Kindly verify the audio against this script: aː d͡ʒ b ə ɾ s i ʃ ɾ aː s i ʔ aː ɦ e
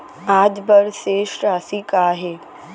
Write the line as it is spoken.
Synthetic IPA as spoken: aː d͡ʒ b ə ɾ s e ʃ ɾ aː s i k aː ɦ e